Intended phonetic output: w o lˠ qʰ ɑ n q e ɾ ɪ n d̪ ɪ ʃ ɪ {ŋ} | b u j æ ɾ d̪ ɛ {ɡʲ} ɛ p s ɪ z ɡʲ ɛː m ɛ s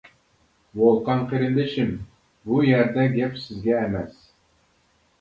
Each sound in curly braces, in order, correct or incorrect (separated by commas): incorrect, correct